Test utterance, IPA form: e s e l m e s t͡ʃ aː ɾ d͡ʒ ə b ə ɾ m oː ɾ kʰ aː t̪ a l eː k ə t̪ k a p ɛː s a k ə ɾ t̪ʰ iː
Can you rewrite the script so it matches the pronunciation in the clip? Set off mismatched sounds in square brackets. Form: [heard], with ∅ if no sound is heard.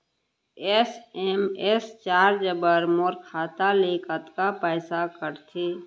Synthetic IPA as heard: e s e [∅] m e s t͡ʃ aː ɾ d͡ʒ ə b ə ɾ m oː ɾ kʰ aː t̪ a l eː k ə t̪ k a p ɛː s a k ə ɾ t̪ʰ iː